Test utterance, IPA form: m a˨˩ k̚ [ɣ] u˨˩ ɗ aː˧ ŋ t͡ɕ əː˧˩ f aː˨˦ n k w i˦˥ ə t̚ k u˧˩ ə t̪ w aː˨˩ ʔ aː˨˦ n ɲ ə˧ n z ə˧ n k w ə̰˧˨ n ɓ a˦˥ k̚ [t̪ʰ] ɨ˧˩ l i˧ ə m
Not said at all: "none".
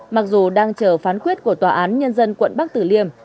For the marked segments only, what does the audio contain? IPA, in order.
z, t̪

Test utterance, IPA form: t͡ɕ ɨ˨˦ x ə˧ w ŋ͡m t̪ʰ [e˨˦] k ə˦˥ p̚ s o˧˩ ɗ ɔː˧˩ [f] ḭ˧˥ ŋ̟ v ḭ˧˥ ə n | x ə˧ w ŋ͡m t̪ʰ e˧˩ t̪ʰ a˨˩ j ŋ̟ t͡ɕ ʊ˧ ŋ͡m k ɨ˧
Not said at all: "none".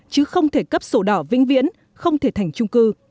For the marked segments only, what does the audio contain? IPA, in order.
e˧˩, v

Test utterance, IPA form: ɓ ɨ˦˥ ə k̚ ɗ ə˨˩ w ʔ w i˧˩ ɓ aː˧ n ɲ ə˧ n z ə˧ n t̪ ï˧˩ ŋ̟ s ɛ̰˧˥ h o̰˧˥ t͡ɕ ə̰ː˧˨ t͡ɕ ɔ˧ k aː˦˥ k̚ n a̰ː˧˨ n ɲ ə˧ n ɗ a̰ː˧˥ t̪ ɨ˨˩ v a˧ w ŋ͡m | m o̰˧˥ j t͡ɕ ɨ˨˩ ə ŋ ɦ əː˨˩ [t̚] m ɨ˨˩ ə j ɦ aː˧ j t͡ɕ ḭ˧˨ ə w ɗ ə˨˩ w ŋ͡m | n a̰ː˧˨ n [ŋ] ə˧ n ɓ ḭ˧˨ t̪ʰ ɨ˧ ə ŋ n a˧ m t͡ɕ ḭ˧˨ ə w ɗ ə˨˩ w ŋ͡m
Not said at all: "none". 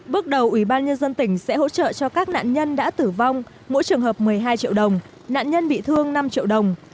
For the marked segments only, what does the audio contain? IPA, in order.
p̚, ɲ

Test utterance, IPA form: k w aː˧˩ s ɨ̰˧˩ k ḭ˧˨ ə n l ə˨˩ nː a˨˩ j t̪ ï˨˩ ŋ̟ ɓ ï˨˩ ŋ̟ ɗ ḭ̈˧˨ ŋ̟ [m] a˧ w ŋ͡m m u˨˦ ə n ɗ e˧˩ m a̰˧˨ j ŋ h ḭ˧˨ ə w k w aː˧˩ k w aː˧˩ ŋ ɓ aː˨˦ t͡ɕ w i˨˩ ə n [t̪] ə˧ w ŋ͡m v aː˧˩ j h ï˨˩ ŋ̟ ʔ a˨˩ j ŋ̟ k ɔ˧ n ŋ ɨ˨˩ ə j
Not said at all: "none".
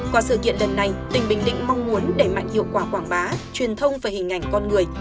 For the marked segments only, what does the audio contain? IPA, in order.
m, t̪ʰ

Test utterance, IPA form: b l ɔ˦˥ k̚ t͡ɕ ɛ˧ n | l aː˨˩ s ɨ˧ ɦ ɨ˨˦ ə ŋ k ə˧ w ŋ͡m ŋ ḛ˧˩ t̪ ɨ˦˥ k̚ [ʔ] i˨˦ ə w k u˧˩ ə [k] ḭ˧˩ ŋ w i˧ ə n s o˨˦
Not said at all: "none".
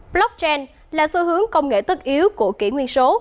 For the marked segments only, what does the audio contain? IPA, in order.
ʔ, k

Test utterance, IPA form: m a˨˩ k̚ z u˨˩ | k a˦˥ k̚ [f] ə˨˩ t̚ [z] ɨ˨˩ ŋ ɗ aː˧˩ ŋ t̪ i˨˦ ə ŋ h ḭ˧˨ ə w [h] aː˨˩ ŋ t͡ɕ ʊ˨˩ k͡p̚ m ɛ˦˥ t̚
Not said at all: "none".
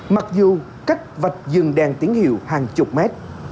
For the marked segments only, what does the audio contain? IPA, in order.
v, z, h

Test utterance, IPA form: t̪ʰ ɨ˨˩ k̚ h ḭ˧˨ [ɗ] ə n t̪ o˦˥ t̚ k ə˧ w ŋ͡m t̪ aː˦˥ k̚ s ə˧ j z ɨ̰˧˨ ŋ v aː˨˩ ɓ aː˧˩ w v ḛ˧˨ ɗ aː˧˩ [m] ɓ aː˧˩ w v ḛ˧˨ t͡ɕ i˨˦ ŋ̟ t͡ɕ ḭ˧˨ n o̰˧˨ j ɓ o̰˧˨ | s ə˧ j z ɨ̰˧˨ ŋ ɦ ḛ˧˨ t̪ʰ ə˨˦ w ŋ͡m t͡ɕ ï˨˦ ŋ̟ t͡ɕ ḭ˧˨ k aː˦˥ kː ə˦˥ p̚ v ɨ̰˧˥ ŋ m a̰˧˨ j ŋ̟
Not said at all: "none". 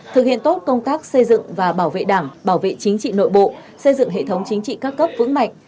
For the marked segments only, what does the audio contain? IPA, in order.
none, ŋ

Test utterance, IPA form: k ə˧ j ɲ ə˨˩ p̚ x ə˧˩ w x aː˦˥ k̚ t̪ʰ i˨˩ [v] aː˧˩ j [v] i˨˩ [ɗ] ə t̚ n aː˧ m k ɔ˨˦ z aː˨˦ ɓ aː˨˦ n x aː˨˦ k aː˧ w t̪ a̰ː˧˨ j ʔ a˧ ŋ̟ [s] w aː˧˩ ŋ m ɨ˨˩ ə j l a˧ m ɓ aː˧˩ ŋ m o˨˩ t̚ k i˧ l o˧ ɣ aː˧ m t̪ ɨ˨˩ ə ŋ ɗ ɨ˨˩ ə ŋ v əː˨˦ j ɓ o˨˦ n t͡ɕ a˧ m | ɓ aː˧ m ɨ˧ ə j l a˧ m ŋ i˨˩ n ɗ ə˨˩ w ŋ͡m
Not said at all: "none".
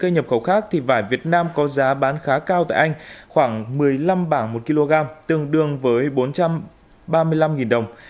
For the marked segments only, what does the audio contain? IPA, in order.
v, v, none, x

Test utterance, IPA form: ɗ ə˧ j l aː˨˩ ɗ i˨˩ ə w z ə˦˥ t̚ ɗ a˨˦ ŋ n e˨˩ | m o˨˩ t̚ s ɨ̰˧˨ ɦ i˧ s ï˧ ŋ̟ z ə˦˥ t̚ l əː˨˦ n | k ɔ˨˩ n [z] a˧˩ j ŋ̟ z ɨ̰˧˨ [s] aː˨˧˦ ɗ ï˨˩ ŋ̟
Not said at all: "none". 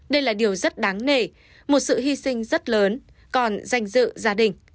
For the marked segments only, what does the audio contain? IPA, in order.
z, z

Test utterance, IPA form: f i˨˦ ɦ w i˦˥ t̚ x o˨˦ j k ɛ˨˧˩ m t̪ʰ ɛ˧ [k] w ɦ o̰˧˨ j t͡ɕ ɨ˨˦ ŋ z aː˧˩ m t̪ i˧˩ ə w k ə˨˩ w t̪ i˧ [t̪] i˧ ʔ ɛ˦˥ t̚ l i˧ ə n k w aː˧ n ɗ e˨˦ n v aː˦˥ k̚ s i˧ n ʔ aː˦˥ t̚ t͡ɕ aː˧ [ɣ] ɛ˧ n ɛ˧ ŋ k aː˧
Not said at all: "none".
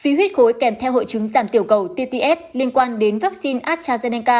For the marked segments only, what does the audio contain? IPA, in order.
none, t̪, z

